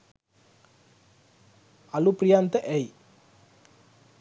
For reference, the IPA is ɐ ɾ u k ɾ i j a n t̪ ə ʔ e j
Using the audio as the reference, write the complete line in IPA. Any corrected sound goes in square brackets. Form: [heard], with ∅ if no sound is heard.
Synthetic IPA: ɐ [l] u [p] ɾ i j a n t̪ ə ʔ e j